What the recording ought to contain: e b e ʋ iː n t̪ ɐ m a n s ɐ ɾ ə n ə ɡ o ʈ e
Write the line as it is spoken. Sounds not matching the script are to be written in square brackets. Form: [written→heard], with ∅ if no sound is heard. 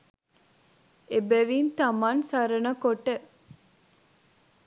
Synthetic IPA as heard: e b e ʋ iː n t̪ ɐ m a n s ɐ ɾ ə n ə [ɡ→k] o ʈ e